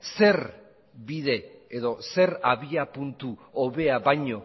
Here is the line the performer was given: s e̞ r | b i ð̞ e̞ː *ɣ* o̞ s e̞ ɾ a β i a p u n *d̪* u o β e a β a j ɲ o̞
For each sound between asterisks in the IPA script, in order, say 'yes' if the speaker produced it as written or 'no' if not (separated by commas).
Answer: no, no